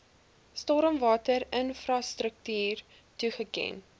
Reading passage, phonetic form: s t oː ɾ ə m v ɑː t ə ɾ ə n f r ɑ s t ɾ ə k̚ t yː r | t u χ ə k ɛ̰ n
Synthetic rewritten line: s t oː ɾ ə m v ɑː t ə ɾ ə n f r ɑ s t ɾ ə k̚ t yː r | t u χ ə k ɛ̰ n